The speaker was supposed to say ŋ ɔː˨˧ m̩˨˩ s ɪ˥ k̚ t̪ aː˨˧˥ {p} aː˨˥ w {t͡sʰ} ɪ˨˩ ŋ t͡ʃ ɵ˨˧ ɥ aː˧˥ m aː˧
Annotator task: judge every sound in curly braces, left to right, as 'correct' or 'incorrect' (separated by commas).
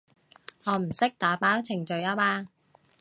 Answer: correct, correct